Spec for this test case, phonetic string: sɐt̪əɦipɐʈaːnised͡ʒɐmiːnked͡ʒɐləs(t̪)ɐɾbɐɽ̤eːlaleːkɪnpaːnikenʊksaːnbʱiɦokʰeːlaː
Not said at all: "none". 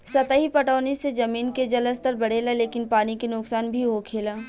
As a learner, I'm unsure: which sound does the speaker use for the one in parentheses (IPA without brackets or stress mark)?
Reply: t̪